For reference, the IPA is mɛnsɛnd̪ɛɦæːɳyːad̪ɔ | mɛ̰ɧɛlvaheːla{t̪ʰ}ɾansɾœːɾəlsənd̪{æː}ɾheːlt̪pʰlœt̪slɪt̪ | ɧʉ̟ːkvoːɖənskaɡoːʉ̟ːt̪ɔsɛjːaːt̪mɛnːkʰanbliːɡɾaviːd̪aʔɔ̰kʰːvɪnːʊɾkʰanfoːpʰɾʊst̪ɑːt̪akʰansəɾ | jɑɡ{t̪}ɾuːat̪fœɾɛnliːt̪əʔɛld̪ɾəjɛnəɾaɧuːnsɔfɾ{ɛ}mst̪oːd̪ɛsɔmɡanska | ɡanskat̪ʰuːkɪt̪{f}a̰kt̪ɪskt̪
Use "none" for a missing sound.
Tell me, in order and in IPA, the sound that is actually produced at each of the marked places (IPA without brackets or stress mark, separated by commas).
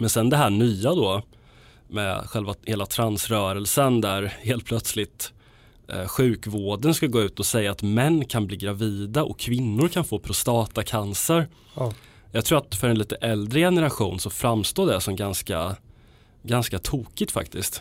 t̪ʰ, æ, t̪ʰ, a, f